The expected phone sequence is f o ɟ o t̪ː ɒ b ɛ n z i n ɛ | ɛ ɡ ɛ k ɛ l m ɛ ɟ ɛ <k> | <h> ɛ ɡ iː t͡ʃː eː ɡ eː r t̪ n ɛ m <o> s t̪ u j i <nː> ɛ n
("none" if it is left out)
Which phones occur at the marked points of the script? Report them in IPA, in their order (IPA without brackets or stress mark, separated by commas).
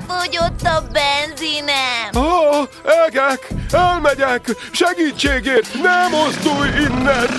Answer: k, ʃ, o, nː